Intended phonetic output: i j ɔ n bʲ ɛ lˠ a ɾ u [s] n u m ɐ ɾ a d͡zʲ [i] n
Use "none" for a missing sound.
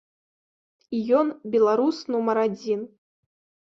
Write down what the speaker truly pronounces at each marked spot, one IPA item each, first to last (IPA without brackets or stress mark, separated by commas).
s, i